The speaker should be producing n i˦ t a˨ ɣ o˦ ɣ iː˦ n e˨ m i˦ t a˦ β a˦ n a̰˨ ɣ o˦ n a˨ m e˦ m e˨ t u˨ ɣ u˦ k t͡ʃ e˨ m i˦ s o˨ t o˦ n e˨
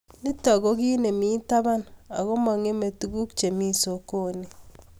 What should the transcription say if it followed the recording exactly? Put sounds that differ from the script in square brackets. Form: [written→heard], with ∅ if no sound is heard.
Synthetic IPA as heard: n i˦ t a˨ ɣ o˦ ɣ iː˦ n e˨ m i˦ t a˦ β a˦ n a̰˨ ɣ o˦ [n→m] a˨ [m→ŋ] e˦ m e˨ t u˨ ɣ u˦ k t͡ʃ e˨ m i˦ s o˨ [t→k] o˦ n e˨